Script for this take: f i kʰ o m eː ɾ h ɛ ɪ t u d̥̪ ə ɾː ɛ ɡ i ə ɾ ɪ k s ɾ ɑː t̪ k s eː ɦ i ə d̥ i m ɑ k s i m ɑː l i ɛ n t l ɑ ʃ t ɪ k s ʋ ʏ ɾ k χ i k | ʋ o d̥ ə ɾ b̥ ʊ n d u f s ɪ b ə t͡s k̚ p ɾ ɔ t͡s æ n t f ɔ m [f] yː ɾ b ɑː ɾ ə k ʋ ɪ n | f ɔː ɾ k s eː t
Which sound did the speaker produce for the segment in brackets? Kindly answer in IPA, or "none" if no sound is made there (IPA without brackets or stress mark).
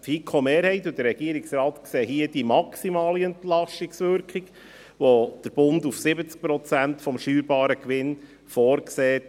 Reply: ʃ